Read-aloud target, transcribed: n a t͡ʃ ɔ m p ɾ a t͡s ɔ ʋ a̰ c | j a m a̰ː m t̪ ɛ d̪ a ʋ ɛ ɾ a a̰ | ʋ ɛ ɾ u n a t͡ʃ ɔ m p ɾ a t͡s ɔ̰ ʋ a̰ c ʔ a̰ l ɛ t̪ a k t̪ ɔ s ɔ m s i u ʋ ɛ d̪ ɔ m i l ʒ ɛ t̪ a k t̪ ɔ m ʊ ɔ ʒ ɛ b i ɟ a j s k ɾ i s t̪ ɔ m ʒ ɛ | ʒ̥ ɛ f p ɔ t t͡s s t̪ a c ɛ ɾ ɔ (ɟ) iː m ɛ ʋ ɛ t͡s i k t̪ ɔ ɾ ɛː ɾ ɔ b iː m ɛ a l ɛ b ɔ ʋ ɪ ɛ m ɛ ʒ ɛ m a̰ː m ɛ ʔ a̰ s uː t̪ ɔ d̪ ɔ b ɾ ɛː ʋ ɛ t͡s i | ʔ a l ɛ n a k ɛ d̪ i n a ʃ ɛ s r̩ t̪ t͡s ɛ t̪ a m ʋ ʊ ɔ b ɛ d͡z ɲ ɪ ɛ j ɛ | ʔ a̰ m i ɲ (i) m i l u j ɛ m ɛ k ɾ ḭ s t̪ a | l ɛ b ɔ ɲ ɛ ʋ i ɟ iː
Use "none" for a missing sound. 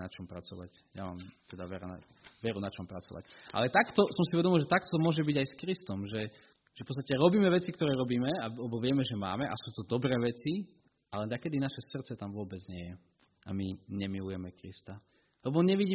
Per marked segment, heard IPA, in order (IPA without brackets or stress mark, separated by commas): b, ɛ